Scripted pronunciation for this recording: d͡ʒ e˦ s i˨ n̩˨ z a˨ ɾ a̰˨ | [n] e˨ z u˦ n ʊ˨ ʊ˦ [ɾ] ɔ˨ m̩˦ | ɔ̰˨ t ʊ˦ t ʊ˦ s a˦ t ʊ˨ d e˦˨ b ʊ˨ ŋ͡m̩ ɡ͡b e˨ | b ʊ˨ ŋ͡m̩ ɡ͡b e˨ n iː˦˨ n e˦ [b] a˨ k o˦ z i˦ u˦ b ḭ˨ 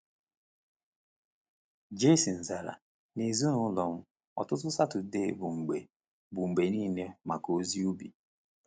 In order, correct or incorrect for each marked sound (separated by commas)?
correct, incorrect, incorrect